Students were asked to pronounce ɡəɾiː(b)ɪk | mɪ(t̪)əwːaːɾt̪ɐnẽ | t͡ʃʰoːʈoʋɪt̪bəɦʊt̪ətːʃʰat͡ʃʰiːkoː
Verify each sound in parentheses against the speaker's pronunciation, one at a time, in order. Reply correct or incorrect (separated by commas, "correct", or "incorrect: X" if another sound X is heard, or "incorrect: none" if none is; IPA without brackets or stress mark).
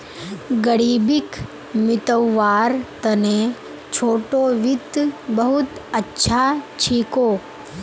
correct, correct